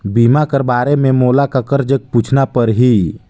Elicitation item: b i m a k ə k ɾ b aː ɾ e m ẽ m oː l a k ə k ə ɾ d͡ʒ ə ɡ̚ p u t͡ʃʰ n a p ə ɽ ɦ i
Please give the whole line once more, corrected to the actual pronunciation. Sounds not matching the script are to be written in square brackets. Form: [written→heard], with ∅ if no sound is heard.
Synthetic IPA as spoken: b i m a k ə [k→∅] ɾ b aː ɾ e m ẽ m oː l a k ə k ə ɾ d͡ʒ ə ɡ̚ p u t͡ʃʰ n a p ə [ɽ→ɾ] ɦ i